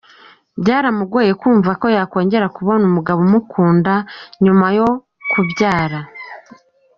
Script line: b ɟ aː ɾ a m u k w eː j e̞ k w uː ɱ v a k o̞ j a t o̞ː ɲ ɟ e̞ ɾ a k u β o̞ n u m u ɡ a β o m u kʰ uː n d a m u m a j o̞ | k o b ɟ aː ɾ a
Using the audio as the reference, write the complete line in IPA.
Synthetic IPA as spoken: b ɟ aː ɾ a m u ɡ w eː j e̞ k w uː ɱ v a k o̞ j a k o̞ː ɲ ɟ e̞ ɾ a k u β o̞ n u m u ɡ a β o m u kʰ uː n d a ɲ u m a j o̞ | k u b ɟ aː ɾ a